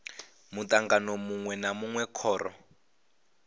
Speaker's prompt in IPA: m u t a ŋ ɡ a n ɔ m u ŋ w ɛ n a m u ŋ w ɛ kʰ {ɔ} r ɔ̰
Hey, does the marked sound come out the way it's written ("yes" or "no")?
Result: no